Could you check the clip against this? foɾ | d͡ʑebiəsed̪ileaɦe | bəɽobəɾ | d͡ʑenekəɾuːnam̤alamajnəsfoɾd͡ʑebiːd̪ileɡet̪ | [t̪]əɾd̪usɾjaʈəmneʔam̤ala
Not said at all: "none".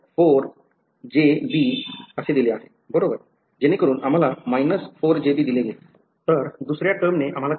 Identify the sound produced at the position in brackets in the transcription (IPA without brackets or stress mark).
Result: t̪